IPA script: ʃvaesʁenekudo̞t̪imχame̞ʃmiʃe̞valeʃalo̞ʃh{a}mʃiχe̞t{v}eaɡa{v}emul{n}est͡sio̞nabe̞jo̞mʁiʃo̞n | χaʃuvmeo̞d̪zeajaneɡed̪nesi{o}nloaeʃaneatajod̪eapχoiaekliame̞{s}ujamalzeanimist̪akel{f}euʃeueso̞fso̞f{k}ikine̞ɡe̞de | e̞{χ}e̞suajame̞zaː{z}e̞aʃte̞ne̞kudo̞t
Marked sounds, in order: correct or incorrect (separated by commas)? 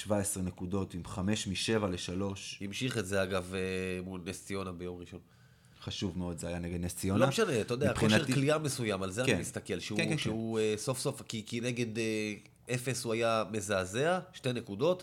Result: incorrect, incorrect, correct, correct, correct, correct, incorrect, correct, incorrect, correct